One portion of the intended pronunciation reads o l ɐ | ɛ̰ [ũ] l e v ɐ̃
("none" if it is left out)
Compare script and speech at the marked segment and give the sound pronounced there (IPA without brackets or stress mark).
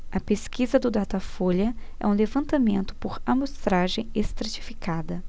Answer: ũ